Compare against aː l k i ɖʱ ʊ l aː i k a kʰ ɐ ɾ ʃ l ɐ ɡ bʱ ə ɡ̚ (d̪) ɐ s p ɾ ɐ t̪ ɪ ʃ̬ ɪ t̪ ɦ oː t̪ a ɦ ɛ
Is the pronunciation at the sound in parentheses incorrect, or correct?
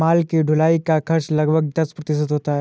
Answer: correct